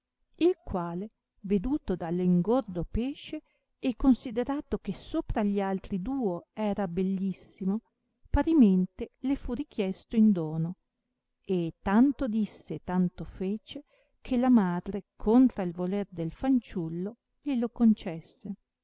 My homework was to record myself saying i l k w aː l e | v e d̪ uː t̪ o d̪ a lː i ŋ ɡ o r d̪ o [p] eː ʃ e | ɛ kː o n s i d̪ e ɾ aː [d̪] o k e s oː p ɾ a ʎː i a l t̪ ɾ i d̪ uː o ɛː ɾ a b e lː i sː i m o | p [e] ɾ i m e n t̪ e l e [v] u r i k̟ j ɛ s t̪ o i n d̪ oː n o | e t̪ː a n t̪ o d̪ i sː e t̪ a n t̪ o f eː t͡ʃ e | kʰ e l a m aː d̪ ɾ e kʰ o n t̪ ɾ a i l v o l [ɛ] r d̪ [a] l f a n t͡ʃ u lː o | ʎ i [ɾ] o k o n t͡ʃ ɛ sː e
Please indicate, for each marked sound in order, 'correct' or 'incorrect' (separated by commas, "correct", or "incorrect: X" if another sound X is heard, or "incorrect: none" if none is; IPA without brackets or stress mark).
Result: correct, incorrect: t̪, incorrect: a, incorrect: f, incorrect: e, incorrect: e, incorrect: l